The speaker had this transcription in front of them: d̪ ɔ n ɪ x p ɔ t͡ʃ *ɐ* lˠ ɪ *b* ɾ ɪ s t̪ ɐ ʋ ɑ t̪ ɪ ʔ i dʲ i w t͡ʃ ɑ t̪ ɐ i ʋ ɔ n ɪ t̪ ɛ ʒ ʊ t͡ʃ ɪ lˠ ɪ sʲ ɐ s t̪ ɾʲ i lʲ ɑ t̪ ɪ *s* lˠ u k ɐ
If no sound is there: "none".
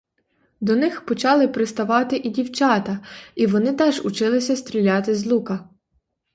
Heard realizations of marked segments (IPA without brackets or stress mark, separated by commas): ɑ, p, z